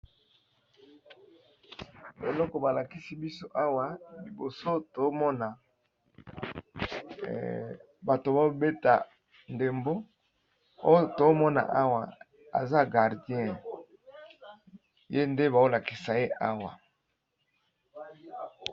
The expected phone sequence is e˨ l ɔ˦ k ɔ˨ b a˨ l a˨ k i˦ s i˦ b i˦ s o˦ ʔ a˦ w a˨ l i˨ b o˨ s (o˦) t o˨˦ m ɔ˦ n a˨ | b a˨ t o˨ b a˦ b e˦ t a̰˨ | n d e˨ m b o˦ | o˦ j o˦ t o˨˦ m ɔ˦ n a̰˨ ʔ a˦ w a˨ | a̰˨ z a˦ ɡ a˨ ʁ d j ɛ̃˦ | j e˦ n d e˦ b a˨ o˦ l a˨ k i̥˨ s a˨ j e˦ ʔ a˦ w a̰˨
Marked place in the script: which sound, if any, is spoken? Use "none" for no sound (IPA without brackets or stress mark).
o˦